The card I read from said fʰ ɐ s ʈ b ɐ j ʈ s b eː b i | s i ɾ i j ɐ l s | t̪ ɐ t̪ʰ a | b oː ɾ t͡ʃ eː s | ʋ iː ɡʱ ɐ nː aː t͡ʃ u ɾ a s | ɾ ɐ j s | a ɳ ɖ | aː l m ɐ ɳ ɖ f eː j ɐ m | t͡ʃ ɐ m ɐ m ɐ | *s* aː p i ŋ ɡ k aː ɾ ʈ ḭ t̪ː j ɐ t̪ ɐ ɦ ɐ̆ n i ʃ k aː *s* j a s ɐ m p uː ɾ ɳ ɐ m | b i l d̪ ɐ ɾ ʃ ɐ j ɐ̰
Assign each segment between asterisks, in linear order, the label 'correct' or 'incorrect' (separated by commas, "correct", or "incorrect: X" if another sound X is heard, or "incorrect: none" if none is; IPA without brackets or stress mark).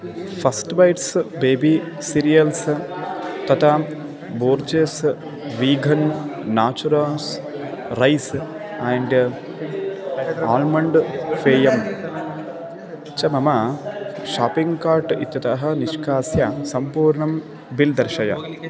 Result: incorrect: ʃ, correct